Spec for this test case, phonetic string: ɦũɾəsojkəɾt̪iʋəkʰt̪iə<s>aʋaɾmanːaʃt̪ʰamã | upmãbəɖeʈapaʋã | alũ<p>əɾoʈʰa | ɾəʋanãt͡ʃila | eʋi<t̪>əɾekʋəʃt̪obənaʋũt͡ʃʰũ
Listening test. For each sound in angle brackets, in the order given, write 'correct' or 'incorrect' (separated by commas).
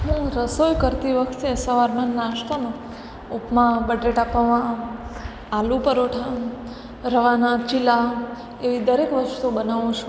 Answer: correct, correct, incorrect